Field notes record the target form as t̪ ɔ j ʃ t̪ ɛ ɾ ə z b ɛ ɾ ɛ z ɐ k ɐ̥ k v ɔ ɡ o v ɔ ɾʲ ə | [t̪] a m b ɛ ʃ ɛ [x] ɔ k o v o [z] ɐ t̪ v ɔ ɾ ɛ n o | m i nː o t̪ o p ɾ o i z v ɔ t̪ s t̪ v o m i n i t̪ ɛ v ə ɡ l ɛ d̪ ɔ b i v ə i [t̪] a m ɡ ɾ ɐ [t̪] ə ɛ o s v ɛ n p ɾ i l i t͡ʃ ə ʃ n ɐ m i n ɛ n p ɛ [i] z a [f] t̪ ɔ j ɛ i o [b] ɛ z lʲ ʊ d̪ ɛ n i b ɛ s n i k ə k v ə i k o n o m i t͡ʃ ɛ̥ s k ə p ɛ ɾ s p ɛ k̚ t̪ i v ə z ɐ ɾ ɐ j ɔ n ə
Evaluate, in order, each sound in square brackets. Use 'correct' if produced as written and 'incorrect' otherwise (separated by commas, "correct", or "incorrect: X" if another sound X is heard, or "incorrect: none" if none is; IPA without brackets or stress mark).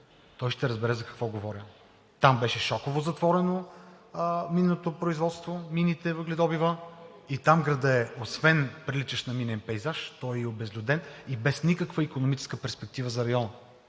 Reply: correct, incorrect: ʃ, correct, correct, incorrect: d̪, incorrect: j, incorrect: ʃ, correct